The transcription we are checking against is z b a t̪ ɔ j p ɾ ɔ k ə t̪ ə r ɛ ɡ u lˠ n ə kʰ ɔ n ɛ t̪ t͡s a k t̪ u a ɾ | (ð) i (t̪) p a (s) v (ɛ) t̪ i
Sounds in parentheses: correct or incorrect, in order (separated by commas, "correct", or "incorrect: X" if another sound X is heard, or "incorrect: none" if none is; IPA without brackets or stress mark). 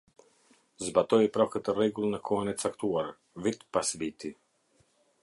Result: incorrect: v, correct, correct, incorrect: i